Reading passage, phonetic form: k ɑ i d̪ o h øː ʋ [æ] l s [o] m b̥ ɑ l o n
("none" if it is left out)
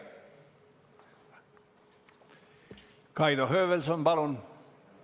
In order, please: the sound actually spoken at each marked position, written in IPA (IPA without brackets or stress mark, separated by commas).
e, o